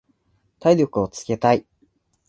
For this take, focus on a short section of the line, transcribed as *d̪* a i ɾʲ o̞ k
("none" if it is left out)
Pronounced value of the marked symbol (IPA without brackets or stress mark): t̪